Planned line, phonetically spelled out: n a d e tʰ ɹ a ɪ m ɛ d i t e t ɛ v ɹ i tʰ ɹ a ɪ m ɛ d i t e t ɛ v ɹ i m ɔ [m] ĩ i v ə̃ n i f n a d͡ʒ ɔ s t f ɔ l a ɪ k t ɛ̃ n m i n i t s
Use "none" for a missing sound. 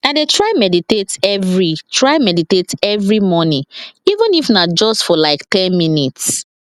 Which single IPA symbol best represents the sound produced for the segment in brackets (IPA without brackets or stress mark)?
n